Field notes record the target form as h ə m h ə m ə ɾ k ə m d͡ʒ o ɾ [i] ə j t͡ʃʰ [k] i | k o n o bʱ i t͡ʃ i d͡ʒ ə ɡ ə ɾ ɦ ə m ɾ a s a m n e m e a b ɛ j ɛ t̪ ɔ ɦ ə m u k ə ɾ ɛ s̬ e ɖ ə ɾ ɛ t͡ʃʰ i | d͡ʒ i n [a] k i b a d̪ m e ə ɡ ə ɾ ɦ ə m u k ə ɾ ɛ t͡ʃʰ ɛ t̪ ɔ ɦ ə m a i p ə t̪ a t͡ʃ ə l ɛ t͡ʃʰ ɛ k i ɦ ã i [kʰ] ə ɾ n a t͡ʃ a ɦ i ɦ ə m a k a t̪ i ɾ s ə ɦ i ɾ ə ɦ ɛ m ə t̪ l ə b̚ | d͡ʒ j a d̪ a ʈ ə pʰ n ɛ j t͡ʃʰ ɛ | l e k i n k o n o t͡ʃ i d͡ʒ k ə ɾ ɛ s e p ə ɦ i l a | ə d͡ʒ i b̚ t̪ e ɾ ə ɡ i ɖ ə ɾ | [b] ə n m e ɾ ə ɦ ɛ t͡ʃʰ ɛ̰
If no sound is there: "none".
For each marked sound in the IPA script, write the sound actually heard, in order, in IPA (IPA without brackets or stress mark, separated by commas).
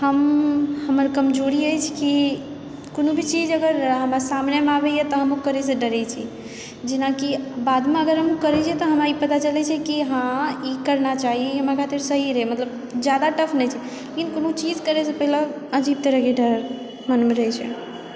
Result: i, k, a, k, m